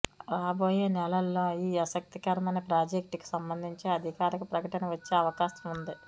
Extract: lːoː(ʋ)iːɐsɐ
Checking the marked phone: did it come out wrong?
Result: yes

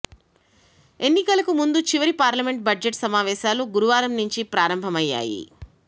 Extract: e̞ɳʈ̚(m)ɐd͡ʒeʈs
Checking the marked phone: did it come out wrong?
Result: yes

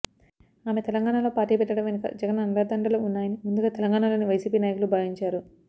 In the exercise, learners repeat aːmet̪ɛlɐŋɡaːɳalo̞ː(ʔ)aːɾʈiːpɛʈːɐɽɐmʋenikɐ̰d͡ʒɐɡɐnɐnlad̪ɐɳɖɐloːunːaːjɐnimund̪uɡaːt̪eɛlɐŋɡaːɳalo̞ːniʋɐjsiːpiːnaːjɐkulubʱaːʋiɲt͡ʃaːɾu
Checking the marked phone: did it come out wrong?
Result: yes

